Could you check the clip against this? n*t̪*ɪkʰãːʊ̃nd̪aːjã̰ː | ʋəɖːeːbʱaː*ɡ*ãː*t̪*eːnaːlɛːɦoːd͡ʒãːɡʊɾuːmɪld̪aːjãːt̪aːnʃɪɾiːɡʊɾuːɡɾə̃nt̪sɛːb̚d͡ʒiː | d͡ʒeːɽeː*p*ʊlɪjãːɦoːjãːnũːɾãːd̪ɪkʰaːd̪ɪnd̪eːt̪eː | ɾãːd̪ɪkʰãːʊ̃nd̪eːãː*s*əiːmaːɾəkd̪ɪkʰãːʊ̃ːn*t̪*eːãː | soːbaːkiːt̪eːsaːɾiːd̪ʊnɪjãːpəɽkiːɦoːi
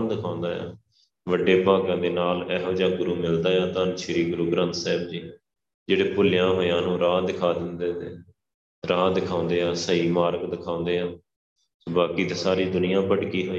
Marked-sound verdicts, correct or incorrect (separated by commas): incorrect, correct, incorrect, correct, correct, incorrect